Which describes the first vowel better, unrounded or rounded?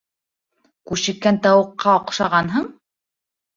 rounded